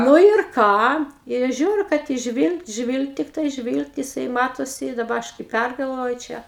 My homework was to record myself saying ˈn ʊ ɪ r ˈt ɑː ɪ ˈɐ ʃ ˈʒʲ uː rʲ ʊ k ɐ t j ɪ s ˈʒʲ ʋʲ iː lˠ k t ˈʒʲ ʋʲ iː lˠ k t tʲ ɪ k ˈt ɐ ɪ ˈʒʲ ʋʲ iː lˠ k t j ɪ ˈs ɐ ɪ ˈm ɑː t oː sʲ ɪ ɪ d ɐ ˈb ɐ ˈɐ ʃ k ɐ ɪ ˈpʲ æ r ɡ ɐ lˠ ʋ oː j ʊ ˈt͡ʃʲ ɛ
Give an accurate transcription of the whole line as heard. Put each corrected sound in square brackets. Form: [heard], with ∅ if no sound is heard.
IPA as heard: ˈn ʊ ɪ r [ˈk] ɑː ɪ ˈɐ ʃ ˈʒʲ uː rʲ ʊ k ɐ t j ɪ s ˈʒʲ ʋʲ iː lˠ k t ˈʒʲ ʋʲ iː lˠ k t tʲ ɪ k ˈt ɐ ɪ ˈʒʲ ʋʲ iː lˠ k t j ɪ ˈs ɐ ɪ ˈm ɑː t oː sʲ ɪ ɪ d ɐ ˈb ɐ ˈɐ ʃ k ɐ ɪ ˈpʲ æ r ɡ ɐ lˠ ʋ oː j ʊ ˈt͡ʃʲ ɛ